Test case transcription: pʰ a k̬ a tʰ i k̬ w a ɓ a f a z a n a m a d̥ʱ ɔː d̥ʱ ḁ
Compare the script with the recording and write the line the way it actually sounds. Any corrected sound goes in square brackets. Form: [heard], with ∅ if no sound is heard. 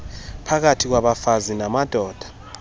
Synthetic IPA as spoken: pʰ a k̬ a tʰ i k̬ w a ɓ a f a z [i] n a m a d̥ʱ ɔː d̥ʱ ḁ